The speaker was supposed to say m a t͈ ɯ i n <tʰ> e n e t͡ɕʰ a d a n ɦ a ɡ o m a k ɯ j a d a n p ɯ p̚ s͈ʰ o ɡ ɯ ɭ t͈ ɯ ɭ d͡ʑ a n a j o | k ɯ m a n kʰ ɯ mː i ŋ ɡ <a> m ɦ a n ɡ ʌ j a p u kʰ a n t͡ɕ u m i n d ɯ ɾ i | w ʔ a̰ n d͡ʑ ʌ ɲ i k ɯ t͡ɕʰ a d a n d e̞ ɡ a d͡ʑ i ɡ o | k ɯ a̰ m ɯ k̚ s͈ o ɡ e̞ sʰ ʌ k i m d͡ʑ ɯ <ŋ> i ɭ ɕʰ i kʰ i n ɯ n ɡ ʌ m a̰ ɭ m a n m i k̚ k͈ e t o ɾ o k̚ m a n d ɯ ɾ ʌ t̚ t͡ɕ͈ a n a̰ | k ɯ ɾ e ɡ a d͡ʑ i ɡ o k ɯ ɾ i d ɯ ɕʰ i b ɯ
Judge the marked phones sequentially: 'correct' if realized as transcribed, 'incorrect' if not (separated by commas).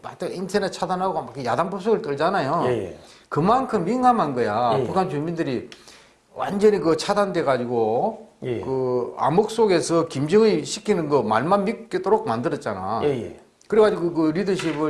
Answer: correct, correct, correct